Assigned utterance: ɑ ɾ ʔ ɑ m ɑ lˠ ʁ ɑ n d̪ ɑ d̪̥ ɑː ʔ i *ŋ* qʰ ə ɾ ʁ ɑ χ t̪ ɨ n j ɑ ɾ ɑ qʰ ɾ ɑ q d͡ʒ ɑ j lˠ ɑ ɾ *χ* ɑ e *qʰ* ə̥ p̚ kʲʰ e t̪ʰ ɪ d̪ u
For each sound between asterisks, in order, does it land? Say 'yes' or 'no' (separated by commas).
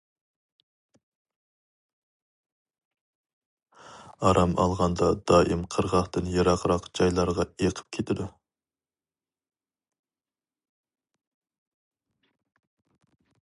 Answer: no, no, yes